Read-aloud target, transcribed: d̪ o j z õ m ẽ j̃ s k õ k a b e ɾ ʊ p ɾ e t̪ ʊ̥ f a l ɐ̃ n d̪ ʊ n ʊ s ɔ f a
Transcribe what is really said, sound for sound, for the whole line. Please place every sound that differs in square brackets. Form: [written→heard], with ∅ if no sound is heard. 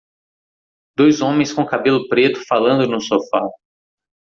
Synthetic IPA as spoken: d̪ o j z õ m ẽ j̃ s k õ k a b e [ɾ→l] ʊ p ɾ e t̪ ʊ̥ f a l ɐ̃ n d̪ ʊ n ʊ s [ɔ→o] f a